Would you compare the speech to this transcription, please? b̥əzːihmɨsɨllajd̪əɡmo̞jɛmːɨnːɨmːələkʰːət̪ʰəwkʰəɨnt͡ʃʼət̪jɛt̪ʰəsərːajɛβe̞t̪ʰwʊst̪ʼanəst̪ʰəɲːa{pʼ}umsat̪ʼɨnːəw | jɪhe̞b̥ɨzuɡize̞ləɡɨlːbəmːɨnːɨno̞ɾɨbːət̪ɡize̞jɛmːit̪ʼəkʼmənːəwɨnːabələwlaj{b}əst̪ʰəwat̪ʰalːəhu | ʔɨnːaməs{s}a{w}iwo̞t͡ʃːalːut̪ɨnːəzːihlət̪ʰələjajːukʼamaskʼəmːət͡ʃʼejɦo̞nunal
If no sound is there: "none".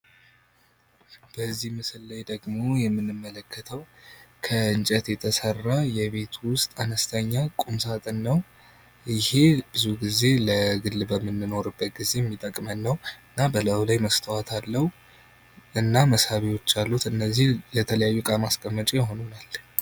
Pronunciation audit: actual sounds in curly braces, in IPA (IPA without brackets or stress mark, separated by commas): kʼ, m, h, β